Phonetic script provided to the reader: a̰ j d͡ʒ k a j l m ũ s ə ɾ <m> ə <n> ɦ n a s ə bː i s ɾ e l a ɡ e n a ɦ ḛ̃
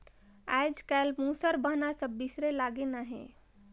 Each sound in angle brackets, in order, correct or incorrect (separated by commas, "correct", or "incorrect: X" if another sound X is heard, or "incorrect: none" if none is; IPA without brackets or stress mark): incorrect: b, incorrect: none